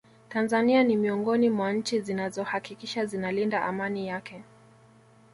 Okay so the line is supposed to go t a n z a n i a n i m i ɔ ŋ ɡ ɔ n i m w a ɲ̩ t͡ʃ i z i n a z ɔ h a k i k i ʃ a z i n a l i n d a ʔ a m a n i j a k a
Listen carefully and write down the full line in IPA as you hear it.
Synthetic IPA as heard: t a n z a n i a n i m i ɔ ŋ ɡ ɔ n i m w a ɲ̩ t͡ʃ i z i n a z ɔ h a k i k i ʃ a z i n a l i n d a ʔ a m a n i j a k ɛ